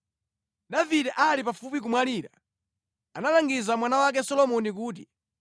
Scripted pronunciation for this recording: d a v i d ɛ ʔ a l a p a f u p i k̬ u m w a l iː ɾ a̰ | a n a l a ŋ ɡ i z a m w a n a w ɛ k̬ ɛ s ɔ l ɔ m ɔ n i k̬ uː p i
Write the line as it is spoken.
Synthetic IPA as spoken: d a v i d ɛ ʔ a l i p a f u p i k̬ u m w a l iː ɾ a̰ | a n a l a ŋ ɡ i z a m w a n a w a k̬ ɛ s ɔ l ɔ m ɔ n i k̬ uː t i